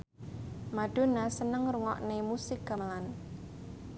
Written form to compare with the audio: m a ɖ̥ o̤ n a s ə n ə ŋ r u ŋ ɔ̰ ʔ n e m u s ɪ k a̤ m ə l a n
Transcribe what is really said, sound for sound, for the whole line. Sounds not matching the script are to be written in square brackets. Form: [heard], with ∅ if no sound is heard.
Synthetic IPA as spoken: m a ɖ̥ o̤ n a s ə n ə ŋ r u ŋ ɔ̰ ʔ n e m u s ɪ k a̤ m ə l a n